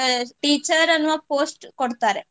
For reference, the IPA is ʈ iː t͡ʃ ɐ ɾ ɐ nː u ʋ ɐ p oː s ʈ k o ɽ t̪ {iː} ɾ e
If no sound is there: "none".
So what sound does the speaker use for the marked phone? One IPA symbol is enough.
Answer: aː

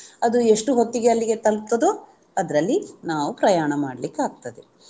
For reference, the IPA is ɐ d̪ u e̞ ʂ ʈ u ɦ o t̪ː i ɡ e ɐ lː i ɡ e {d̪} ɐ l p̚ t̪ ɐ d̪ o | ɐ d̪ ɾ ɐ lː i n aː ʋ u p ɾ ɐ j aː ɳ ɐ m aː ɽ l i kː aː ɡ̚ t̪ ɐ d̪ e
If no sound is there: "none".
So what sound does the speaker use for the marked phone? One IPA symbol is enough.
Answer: t̪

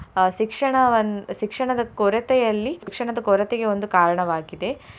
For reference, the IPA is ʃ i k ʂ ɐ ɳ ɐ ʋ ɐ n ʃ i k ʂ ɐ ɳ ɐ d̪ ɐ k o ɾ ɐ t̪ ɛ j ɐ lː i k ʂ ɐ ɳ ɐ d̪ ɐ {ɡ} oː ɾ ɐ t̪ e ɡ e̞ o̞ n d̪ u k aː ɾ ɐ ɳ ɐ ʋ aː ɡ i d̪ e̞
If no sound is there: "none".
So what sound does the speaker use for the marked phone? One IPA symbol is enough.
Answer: k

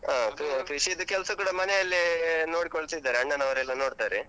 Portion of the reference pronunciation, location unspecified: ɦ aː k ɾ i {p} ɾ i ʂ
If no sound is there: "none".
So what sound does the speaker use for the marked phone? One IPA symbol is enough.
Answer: k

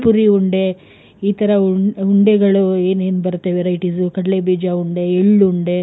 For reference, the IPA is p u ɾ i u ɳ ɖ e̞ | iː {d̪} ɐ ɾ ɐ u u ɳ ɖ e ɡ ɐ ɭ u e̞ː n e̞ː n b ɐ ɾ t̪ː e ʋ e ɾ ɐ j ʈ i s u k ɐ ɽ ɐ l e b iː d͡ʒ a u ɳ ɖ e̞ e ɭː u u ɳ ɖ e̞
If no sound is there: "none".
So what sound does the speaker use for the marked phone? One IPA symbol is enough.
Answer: t̪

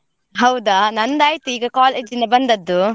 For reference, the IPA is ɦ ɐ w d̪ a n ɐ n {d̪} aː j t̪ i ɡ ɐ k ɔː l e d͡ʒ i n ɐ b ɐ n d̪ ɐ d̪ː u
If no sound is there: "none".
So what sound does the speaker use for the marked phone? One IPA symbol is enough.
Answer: d̪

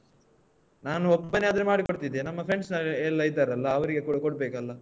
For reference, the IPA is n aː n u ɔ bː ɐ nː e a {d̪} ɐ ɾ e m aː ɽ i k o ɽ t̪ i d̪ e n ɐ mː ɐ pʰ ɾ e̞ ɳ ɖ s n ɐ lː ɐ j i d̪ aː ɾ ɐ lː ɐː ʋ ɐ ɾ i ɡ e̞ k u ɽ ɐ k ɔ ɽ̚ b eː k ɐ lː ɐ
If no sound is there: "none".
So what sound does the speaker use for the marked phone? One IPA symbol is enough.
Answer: d̪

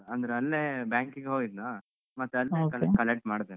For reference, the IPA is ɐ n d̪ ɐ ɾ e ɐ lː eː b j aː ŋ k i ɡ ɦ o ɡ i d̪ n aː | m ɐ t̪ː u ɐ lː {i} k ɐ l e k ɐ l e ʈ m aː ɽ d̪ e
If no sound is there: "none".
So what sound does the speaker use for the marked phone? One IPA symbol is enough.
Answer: e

